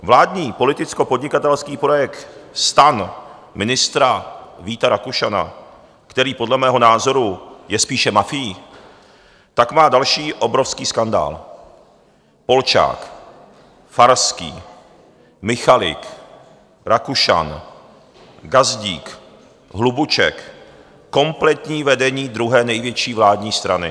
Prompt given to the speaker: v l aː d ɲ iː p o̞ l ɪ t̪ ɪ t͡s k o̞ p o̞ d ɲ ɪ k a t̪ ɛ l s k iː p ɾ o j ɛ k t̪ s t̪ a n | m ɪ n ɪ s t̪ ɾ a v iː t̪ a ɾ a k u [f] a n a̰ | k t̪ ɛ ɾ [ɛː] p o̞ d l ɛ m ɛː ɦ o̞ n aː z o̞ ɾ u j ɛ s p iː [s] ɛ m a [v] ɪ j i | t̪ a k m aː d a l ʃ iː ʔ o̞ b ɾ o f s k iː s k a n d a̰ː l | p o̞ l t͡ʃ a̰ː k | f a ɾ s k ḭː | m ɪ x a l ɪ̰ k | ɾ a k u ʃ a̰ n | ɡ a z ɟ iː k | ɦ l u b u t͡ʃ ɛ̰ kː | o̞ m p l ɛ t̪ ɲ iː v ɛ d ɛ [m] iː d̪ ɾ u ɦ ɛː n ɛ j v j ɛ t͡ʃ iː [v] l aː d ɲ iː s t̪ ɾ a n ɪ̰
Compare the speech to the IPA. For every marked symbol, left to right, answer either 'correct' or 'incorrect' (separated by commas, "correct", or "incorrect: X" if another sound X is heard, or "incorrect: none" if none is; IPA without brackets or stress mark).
incorrect: ʃ, incorrect: iː, incorrect: ʃ, incorrect: f, incorrect: ɲ, correct